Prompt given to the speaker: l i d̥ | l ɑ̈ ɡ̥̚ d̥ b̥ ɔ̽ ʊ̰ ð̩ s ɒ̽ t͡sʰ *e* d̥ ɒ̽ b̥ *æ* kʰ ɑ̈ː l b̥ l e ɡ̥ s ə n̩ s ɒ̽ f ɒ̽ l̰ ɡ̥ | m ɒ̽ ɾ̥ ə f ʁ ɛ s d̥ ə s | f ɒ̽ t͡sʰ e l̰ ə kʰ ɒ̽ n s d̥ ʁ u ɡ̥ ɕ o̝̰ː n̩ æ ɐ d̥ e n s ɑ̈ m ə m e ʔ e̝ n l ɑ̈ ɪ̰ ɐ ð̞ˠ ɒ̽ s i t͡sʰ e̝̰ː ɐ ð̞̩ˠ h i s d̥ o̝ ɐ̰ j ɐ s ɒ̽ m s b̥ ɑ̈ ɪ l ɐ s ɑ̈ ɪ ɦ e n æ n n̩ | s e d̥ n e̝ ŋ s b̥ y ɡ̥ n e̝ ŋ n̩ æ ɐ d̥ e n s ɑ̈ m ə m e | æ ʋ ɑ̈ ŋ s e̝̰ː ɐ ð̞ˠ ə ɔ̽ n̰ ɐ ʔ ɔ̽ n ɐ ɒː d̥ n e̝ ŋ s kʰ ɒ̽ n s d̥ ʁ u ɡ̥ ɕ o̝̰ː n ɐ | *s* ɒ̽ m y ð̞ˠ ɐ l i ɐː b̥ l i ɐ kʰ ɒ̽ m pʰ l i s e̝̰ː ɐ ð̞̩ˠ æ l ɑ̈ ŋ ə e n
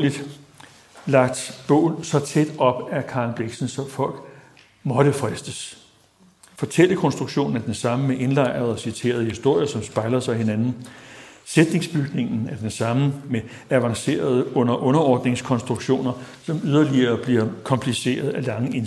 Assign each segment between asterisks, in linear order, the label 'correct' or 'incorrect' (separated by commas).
correct, correct, correct